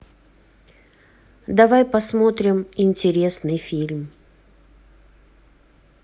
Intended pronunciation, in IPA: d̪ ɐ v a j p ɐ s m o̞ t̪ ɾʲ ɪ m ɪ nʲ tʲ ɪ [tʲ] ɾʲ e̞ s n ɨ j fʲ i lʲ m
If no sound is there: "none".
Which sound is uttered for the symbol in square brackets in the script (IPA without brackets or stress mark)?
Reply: none